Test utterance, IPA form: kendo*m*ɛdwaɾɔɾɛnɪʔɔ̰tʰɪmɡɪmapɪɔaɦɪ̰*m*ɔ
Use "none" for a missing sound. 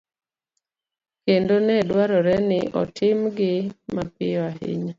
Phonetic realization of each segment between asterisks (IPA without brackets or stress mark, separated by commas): n, ɲ